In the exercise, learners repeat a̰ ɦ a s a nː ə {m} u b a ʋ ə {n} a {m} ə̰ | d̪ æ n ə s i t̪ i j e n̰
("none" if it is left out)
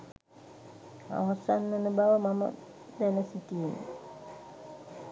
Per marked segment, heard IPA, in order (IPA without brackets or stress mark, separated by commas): n, m, m